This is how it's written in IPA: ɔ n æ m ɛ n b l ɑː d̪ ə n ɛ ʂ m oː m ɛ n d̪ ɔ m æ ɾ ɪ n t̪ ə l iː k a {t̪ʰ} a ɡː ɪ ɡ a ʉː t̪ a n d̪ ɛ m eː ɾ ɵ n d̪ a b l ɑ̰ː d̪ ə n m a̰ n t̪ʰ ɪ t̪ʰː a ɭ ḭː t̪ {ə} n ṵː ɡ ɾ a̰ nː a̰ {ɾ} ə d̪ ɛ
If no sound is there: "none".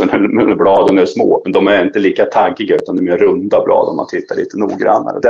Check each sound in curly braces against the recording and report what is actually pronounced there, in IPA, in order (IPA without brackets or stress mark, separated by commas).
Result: t̪ʰ, ə, ɾ